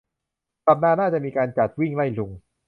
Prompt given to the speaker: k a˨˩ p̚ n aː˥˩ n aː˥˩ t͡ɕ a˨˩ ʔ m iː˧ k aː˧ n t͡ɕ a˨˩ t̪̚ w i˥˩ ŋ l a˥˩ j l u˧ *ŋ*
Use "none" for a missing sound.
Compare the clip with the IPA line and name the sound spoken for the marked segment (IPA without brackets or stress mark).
ŋ